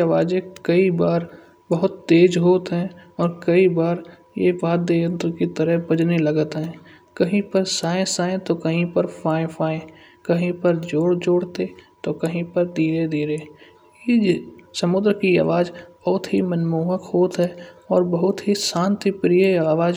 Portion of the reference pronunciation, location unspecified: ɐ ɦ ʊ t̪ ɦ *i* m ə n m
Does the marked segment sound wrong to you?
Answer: no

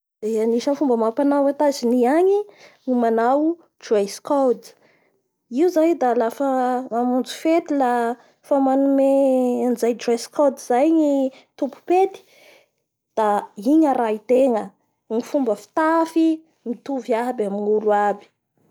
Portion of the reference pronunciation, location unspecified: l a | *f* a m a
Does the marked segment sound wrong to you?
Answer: no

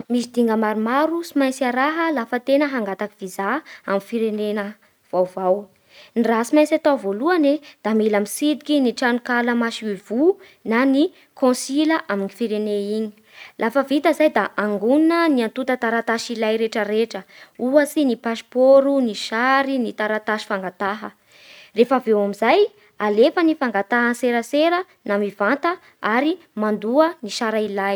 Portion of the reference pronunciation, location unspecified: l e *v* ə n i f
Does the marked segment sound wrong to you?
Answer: yes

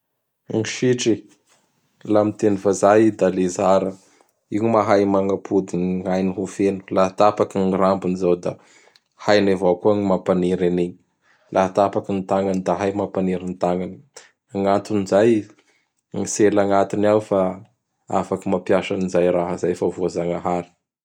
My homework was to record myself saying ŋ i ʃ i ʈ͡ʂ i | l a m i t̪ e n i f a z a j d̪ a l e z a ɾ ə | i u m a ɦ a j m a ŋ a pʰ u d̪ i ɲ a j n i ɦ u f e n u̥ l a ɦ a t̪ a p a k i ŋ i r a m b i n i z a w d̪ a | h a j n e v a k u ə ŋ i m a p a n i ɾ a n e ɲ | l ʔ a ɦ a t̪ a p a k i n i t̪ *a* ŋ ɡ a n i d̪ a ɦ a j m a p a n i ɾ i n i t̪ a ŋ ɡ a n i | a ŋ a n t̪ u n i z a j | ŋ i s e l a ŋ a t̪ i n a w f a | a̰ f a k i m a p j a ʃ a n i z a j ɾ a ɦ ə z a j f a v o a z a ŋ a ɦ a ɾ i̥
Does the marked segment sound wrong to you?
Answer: no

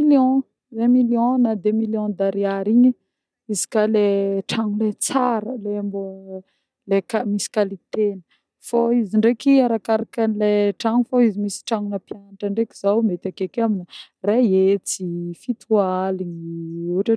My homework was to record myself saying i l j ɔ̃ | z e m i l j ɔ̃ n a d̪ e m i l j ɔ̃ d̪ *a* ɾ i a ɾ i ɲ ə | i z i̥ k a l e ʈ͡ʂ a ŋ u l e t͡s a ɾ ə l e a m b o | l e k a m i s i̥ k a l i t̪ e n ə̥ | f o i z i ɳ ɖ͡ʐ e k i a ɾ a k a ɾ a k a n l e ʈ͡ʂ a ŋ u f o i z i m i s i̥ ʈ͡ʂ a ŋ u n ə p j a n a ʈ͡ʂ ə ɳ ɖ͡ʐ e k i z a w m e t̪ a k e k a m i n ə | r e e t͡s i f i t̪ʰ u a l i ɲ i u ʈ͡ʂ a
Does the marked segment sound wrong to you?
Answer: no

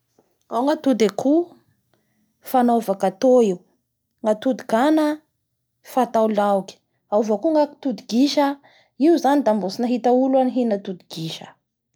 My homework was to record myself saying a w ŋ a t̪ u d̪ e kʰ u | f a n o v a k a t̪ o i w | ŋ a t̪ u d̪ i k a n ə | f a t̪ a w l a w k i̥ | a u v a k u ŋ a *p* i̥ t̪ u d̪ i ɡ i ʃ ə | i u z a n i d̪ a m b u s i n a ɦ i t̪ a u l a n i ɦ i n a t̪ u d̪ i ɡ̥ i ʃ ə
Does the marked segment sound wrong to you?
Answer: yes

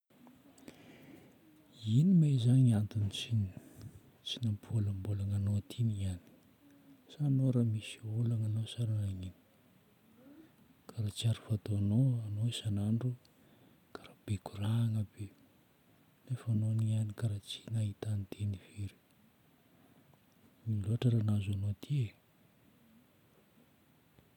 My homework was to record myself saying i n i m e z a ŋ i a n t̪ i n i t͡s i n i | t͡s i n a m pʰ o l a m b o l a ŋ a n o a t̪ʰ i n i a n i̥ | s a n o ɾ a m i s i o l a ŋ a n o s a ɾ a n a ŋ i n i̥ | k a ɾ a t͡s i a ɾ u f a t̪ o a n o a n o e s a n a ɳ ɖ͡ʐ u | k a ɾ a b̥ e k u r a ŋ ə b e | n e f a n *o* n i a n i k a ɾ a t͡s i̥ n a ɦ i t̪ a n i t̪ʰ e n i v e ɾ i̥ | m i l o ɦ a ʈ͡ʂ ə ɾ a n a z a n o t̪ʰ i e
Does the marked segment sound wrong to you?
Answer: no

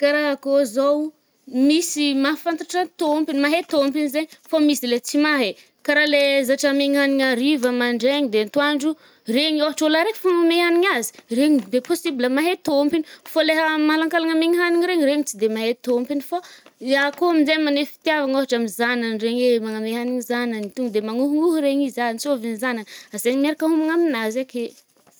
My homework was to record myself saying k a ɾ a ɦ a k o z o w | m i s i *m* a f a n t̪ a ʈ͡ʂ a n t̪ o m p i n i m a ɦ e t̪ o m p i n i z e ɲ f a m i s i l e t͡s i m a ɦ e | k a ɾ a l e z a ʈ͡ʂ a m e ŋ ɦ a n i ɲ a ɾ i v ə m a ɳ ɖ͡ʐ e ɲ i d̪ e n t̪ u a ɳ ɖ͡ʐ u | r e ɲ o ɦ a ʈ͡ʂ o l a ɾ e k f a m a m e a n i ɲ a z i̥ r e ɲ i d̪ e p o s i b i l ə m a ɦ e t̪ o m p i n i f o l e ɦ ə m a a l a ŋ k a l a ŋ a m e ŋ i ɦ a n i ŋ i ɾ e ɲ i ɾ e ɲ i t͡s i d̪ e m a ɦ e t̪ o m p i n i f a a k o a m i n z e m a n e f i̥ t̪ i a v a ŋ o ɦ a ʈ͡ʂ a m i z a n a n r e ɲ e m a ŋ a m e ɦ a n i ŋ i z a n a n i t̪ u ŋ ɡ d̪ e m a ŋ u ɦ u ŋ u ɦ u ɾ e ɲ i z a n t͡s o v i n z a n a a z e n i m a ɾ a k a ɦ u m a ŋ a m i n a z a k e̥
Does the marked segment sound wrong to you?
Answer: no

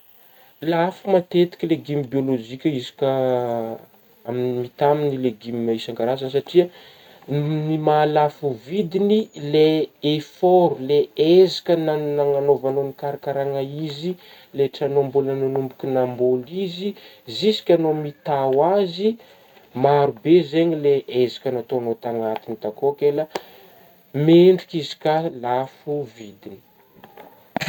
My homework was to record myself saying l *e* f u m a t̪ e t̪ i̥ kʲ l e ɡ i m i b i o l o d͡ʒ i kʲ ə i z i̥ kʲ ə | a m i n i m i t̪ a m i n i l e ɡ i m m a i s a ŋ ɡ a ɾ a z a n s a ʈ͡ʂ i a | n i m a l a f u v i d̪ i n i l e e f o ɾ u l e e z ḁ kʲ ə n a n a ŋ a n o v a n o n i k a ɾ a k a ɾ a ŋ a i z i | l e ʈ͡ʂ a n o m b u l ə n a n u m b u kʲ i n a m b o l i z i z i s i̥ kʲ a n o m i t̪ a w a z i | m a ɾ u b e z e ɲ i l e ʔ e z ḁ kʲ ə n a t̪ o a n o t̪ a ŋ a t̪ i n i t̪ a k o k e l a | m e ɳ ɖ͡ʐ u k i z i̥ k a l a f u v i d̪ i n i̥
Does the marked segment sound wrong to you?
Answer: yes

